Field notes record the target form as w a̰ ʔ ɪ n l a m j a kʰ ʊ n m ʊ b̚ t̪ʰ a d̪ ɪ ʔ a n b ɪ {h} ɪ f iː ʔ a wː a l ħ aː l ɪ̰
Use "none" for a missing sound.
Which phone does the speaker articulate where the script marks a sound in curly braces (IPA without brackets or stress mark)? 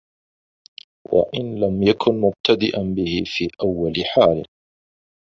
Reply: h